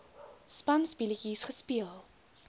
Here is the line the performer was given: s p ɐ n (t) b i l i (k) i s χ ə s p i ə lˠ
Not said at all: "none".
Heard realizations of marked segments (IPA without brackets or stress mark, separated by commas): s, k